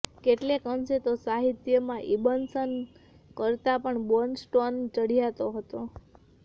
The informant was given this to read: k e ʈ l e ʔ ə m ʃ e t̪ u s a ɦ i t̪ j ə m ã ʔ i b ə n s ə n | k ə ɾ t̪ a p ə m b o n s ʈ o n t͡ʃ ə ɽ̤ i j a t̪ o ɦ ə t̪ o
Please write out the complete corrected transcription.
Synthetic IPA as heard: k e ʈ l e k ə m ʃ e t̪ o s a ɦ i t̪ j ə m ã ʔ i b ə n s ə n | k ə ɾ t̪ a p ə ɳ b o n s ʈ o n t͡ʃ ə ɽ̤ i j a t̪ o ɦ ə t̪ o